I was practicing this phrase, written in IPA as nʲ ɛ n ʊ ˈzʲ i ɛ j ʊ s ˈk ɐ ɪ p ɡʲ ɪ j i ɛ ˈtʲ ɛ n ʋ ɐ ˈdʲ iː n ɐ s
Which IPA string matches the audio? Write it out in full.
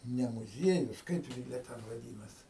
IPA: nʲ ɛ m ʊ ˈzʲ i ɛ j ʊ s ˈk ɐ ɪ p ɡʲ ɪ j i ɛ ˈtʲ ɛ n ʋ ɐ ˈdʲ iː n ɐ s